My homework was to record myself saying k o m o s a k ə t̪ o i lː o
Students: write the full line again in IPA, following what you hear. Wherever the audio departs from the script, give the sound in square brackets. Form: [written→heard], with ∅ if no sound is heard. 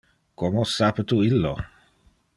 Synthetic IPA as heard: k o m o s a [k→p] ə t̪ [o→u] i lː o